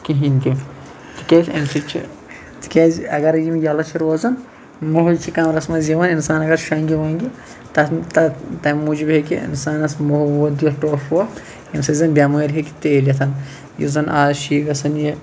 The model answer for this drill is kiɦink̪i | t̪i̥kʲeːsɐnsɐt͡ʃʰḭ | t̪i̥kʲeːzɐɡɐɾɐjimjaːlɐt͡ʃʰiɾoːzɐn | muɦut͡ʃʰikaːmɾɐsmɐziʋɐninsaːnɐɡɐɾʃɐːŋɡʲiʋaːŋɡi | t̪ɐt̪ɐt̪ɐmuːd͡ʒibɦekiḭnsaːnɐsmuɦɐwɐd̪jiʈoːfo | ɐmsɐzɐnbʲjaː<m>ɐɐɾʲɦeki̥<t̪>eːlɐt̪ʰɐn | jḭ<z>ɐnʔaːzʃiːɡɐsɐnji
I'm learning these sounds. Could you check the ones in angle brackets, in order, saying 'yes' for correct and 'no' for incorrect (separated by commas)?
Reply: yes, yes, yes